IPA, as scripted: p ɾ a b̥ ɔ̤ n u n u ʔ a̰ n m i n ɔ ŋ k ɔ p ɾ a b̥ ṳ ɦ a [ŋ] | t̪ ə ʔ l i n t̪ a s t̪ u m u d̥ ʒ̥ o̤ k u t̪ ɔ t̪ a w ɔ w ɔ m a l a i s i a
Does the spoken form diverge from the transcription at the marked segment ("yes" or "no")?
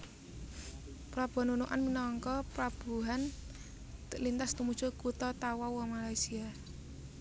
yes